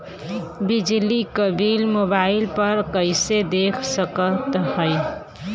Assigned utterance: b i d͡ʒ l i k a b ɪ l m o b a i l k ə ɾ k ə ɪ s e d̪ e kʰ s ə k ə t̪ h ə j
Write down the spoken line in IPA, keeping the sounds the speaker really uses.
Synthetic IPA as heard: b i d͡ʒ l i k ə b i l m o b a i l p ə ɾ k ə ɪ s e d̪ e kʰ s ə k ə t̪ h ə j